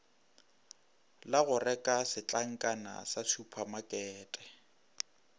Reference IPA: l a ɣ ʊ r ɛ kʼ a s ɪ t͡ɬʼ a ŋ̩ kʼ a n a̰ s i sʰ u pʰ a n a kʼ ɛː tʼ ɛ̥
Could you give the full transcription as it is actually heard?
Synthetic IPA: l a ɣ ʊ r ɛ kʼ a s ɪ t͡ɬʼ a ŋ̩ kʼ a n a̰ s a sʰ u pʰ a m a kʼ ɛː tʼ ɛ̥